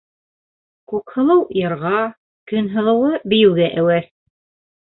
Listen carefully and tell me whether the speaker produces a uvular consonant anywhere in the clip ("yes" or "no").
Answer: yes